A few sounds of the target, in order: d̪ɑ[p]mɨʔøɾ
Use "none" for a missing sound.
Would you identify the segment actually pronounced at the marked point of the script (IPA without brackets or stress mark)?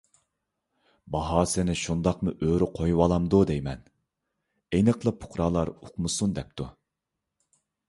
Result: q